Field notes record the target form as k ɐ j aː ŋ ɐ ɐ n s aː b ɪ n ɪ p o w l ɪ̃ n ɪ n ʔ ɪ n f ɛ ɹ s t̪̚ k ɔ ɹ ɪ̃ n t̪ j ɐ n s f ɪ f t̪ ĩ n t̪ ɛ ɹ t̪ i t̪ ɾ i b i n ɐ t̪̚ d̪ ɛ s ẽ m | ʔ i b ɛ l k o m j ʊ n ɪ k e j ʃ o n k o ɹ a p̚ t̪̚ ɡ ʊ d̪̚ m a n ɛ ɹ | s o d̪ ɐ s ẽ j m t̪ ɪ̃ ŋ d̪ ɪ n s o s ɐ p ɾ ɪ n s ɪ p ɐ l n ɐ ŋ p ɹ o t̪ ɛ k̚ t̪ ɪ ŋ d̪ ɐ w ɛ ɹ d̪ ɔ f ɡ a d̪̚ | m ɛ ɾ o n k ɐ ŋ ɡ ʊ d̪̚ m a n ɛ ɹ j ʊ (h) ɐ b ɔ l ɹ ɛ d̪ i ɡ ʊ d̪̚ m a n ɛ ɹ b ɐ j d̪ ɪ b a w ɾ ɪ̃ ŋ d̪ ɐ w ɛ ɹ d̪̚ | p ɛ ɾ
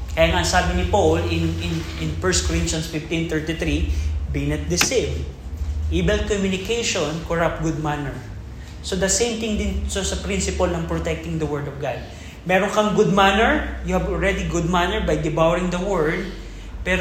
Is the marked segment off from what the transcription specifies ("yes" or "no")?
no